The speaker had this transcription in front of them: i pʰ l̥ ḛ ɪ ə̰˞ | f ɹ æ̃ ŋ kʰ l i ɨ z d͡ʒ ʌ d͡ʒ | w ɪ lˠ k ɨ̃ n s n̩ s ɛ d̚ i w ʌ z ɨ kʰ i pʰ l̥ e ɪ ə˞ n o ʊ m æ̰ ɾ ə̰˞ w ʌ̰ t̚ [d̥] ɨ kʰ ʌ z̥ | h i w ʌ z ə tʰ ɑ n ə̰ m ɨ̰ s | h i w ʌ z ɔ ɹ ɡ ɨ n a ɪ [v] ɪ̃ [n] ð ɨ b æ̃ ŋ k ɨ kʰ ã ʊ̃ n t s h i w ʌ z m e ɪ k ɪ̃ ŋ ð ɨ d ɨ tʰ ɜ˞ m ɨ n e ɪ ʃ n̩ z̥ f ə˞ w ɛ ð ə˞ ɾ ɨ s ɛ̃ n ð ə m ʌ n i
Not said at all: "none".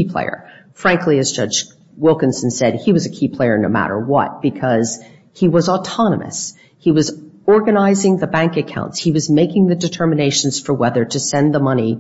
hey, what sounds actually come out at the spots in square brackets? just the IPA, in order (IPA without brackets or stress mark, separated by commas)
b̥, z, ŋ